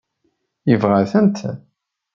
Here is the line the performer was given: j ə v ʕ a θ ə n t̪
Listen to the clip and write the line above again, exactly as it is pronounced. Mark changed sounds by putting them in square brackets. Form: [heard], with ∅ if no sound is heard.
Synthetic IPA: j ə v [ʁ] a θ ə n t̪

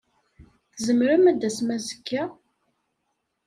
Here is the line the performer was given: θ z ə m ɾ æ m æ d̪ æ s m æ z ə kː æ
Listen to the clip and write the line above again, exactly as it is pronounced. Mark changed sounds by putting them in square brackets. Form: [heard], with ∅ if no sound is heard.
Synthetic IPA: θ z ə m ɾ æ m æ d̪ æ s m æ z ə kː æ

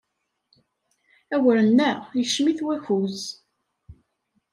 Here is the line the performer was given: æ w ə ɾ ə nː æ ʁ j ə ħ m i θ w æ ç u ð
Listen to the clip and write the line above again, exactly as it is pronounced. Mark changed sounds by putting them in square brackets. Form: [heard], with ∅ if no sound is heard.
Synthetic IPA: æ w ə ɾ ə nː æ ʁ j ə [ʃ] m i θ w æ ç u [z]

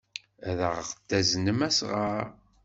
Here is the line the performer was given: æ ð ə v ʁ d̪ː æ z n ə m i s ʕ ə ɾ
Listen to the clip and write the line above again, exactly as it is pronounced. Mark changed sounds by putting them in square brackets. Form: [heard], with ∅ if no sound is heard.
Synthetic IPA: æ ð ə [ʁ] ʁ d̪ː æ z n ə m [æ] s [ʁ] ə ɾ

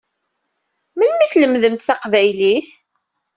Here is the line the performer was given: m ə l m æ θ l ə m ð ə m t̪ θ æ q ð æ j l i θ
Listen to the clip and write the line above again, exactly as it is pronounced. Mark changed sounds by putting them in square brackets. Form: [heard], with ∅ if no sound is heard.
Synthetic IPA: m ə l m [i] θ l ə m ð ə m t̪ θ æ q [v] æ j l i θ

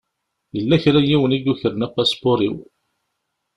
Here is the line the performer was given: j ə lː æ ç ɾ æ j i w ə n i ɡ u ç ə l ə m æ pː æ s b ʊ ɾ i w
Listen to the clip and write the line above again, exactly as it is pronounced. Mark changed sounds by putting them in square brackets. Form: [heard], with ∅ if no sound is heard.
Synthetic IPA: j ə lː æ ç ɾ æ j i w ə n i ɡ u ç ə [ɾ] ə [n] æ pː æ s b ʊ ɾ i w

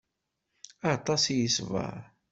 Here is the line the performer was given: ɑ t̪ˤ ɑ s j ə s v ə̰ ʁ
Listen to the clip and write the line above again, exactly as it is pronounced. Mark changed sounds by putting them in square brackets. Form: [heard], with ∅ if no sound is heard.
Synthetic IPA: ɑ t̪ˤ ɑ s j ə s v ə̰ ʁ

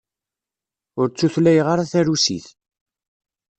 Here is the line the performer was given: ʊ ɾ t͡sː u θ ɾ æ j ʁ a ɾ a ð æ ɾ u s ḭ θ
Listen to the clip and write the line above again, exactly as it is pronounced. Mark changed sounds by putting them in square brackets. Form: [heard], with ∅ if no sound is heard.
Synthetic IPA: ʊ ɾ t͡sː u θ [l] æ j ʁ a ɾ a [θ] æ ɾ u s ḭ θ

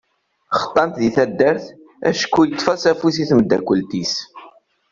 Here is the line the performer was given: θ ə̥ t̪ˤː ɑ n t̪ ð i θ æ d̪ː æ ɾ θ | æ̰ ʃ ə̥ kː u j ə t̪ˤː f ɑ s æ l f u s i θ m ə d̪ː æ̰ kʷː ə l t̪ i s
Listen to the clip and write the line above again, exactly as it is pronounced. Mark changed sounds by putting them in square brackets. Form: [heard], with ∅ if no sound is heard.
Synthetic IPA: [χ] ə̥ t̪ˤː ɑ n t̪ ð i θ æ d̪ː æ ɾ θ | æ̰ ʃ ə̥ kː u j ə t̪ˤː f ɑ s æ [∅] f u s i θ m ə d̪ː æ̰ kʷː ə l t̪ i s

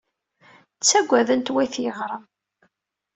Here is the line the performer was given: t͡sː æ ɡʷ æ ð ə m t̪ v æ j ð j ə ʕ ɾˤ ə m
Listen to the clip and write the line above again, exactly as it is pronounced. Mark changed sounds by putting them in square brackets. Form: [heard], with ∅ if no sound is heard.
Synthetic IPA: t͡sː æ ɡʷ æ ð ə [n] t̪ [w] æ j [θ] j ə [ʁ] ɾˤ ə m

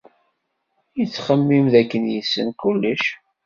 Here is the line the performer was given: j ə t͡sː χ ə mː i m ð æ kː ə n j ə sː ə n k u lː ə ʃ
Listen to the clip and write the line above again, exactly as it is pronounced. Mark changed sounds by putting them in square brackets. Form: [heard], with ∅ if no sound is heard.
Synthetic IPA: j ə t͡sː χ ə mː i m ð æ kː ə n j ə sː ə n k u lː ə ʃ

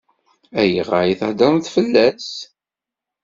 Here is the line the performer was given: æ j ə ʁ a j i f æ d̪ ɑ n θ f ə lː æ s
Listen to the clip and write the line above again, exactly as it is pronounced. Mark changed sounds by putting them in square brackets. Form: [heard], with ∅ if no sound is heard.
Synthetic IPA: æ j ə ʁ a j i [θ] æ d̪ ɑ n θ f ə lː æ s

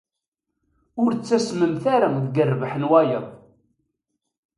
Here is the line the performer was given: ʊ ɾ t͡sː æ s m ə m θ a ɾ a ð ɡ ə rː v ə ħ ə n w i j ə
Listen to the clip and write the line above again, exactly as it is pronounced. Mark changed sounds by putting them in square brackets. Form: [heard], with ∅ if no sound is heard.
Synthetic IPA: ʊ ɾ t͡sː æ s m ə m θ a ɾ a ð ɡ ə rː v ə ħ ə n w [æ] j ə

